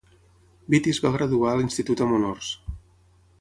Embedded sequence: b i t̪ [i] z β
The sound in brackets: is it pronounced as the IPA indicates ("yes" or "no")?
yes